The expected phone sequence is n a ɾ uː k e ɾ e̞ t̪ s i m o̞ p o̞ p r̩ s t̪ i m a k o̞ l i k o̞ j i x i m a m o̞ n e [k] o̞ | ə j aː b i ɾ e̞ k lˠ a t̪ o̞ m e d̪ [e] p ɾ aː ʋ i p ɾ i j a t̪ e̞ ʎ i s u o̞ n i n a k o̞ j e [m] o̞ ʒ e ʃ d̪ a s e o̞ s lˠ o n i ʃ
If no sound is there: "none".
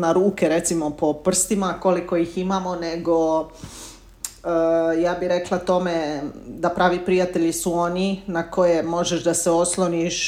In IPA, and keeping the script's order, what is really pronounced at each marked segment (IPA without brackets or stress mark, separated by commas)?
ɡ, a, m